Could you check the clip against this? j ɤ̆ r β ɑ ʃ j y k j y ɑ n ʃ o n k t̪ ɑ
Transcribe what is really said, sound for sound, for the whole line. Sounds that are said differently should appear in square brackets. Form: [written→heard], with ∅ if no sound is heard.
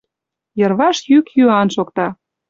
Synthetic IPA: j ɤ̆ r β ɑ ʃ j y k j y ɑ n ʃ o [n→∅] k t̪ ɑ